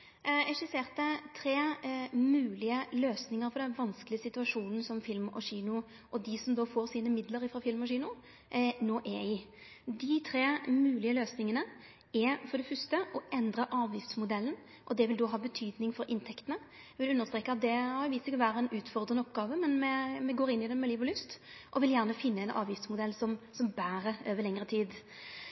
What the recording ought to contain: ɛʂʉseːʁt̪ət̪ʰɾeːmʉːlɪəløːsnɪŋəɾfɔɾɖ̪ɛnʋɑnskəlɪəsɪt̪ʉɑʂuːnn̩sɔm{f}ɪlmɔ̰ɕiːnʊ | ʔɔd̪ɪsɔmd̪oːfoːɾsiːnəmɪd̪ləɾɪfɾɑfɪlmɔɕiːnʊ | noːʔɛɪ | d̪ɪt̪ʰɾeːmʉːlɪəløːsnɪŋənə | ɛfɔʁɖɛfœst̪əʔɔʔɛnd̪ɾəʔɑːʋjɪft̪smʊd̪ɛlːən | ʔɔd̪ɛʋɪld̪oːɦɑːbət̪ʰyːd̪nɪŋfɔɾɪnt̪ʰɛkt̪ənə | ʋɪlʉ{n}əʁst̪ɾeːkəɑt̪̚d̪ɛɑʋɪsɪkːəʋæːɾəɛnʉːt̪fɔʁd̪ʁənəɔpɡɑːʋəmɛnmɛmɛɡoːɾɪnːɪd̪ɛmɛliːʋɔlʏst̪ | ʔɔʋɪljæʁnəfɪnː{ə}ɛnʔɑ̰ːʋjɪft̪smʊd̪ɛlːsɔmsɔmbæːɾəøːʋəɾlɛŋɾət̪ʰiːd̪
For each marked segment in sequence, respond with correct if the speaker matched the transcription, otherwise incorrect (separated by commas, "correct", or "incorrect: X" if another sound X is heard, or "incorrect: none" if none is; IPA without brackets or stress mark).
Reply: correct, incorrect: nː, correct